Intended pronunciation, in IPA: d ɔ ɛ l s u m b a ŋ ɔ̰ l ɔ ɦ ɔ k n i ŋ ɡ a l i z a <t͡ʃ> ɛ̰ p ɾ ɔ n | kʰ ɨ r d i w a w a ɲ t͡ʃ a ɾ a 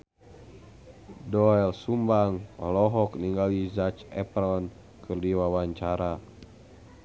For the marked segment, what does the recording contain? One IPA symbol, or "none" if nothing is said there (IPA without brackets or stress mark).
t͡ʃ